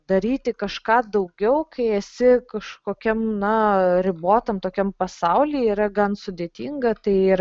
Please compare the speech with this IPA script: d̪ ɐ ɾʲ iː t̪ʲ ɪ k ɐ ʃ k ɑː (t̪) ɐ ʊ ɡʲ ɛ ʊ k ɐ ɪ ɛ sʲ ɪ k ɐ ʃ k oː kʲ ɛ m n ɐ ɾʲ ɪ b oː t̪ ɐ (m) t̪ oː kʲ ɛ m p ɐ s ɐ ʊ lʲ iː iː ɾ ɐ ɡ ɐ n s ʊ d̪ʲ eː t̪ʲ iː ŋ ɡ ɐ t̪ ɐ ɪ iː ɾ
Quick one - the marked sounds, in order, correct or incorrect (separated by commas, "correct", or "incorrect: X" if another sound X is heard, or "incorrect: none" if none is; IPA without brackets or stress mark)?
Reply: incorrect: d̪, correct